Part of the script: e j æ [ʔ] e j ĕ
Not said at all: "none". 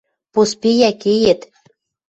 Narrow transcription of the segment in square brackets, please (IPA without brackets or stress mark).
k